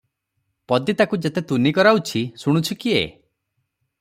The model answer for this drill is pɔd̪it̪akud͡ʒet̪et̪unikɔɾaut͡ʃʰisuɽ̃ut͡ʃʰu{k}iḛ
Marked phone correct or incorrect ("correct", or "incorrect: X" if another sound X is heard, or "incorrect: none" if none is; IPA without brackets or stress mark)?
correct